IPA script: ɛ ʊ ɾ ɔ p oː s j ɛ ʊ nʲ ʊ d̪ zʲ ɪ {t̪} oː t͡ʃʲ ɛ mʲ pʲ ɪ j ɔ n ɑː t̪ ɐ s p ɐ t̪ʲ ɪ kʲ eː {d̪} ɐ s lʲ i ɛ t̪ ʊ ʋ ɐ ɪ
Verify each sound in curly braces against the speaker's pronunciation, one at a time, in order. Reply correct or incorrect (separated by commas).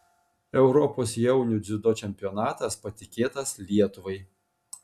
incorrect, incorrect